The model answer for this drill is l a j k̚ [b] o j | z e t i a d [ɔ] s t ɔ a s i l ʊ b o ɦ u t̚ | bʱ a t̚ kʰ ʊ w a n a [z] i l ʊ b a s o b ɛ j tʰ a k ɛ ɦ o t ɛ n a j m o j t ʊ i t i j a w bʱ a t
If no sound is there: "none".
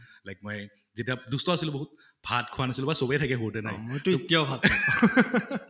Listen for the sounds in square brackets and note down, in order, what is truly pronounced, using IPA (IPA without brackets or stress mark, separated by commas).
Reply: m, u, s